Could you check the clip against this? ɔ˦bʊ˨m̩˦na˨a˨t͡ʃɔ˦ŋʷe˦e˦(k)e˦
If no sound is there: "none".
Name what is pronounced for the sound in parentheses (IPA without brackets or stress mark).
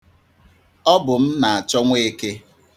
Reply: k